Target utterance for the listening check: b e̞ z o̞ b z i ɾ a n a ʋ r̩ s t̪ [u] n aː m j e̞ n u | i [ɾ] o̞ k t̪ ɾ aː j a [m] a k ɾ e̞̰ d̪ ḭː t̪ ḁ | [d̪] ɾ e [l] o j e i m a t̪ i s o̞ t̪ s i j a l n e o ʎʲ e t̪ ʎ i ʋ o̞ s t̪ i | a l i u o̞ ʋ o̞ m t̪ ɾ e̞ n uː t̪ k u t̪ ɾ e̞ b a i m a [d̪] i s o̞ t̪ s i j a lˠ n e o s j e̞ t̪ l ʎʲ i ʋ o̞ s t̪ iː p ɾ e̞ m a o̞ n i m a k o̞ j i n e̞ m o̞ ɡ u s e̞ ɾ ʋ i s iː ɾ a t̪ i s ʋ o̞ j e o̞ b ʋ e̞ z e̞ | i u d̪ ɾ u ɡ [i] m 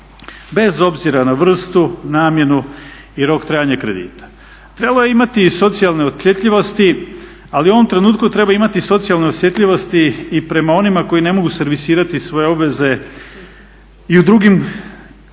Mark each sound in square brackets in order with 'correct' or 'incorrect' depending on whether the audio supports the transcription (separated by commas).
correct, correct, incorrect, incorrect, correct, incorrect, correct